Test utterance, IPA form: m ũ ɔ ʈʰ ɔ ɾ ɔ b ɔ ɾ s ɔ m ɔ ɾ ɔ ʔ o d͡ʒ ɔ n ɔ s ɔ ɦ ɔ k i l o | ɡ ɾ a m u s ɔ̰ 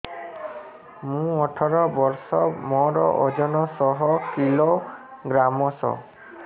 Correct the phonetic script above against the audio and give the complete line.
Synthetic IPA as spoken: m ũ ɔ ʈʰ ɔ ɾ ɔ b ɔ ɾ s ɔ m ɔ ɾ ɔ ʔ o d͡ʒ ɔ n ɔ s ɔ ɦ ɔ k i l o | ɡ ɾ a m ɔ s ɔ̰